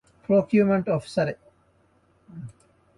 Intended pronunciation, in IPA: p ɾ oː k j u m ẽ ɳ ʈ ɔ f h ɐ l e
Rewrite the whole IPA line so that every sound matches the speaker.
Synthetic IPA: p ɾ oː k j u m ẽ ɳ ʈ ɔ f s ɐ ɾ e